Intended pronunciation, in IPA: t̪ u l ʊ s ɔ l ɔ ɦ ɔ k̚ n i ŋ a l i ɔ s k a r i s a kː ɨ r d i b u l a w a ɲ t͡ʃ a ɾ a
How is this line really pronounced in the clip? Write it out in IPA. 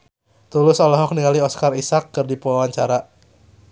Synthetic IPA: t̪ u l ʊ s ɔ l ɔ ɦ ɔ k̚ n i ŋ a l i ɔ s k a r i s a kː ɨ r d i p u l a w a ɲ t͡ʃ a ɾ a